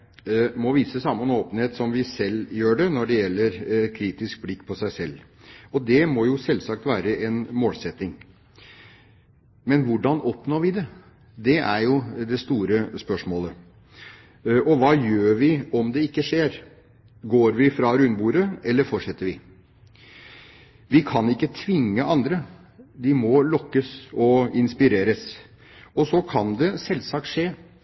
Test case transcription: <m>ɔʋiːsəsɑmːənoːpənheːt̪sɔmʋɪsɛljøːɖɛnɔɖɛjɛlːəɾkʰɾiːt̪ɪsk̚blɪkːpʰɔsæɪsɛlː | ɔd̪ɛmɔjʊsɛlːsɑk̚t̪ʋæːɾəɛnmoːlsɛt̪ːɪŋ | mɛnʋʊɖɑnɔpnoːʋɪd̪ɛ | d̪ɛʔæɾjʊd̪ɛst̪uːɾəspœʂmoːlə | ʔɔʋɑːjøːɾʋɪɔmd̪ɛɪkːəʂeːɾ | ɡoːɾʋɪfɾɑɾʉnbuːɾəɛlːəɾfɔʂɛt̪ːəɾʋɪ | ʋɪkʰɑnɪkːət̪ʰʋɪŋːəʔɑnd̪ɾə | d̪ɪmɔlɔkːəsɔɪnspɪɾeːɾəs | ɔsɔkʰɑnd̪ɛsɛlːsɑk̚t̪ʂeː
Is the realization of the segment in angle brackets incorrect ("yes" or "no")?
no